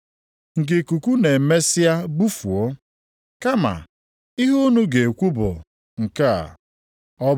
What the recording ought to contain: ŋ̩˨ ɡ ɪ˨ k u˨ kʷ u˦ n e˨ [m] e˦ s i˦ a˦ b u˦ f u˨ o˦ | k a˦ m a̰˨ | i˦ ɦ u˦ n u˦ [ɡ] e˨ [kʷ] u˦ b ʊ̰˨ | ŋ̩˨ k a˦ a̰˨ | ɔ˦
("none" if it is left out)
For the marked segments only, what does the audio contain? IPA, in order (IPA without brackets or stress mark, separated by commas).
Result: m, ɡ, kʷ